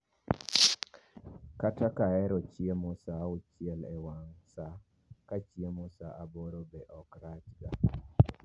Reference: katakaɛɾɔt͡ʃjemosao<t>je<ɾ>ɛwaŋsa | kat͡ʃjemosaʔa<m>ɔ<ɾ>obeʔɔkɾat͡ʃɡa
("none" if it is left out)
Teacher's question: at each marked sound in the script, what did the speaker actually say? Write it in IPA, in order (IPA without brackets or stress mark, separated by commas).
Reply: t͡ʃ, l, b, ɾ